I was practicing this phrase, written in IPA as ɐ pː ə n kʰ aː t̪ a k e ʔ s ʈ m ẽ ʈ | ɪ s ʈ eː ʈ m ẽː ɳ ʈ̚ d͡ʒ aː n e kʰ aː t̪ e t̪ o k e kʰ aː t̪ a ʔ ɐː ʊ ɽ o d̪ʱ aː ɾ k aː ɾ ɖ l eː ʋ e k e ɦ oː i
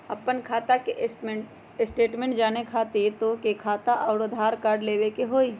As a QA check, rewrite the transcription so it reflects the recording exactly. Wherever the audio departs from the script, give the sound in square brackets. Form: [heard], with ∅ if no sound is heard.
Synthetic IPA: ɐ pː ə n kʰ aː t̪ a k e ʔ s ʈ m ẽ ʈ | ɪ s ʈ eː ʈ m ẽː ɳ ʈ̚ d͡ʒ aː n e kʰ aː t̪ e t̪ o k e kʰ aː t̪ a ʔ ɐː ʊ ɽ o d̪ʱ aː ɾ k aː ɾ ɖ l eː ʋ e k e ɦ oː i